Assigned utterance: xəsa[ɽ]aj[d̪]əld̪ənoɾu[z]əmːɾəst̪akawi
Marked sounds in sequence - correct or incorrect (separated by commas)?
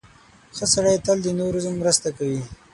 correct, incorrect, correct